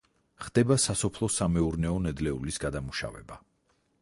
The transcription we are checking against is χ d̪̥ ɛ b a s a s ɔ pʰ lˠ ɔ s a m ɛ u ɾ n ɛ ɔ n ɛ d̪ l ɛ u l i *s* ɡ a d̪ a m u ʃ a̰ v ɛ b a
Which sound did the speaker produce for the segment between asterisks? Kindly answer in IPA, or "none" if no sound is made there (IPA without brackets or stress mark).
s